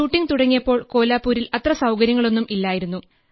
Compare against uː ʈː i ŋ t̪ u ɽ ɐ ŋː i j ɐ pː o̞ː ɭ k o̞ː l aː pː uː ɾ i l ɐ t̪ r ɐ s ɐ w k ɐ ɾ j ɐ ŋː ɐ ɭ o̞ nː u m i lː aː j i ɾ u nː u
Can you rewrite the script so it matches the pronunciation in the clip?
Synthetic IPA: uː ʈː i ŋ t̪ u ɽ ɐ ŋː i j ɐ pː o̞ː ɭ k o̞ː l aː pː uː ɾ i l ɐ t̪ r ɐ s ɐ w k ɐ ɾ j ɐ ŋː ɐ ɭ o̞ nː u m i lː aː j i ɾ u nː u